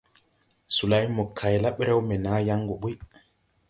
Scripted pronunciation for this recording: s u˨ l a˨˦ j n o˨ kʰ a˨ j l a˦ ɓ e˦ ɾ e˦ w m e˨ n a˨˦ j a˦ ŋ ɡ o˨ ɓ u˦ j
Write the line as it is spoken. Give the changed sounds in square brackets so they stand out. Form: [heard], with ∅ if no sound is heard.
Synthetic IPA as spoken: s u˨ l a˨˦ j [m] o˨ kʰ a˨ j l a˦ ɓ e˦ ɾ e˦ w m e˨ n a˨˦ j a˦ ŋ ɡ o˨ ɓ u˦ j